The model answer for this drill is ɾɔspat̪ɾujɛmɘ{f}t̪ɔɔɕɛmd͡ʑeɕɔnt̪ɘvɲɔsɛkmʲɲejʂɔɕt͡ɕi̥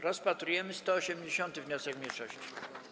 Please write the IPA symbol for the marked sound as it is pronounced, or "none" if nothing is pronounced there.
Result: s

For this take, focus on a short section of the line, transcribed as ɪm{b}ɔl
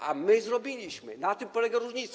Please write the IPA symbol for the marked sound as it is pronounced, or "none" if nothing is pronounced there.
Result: p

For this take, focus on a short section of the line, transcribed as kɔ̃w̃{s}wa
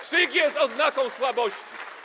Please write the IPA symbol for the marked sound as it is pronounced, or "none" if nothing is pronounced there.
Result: s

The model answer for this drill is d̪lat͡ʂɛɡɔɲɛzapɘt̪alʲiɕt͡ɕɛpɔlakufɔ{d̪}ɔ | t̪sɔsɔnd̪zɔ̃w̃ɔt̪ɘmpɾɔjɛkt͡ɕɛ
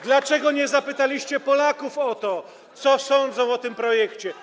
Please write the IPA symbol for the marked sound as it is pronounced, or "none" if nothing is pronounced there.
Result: t̪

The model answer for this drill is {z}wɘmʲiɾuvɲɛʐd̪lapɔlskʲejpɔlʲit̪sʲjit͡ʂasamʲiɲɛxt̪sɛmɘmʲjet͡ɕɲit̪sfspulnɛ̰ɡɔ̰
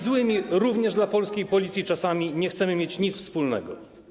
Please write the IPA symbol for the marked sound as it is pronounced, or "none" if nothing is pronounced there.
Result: z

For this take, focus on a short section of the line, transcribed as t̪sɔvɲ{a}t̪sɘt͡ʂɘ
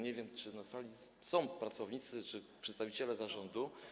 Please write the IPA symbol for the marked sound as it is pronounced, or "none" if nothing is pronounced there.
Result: i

